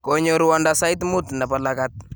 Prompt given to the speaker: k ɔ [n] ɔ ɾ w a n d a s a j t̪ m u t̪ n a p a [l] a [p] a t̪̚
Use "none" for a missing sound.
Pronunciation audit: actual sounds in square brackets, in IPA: ɲ, l, k

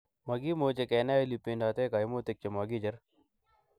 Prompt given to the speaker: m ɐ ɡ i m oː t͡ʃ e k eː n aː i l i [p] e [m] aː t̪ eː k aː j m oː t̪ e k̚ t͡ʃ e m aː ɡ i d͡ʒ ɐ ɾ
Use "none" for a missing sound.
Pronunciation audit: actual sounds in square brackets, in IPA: p, n

